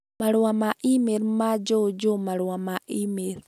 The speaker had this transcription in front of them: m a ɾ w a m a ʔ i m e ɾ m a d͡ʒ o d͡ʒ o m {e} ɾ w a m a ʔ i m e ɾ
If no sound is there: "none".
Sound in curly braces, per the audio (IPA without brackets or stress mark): a